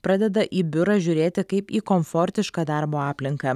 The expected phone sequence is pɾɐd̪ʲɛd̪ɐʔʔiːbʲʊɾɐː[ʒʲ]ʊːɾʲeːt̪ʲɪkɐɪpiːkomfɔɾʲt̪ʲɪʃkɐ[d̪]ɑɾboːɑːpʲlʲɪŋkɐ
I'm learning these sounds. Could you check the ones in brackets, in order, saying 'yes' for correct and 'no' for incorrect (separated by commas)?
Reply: yes, yes